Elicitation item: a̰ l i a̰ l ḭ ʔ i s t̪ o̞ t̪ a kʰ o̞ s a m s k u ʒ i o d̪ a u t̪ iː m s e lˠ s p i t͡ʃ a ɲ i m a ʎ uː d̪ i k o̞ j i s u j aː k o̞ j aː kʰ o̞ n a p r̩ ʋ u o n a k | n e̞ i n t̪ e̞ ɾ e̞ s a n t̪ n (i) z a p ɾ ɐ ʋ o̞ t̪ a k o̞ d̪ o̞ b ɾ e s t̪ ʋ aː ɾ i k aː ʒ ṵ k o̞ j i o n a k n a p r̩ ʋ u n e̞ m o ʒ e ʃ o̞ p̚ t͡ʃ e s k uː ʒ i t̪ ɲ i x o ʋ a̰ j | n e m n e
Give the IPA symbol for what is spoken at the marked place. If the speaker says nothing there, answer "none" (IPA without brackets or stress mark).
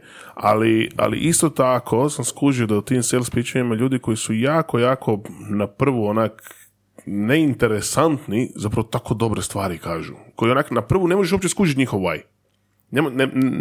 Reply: i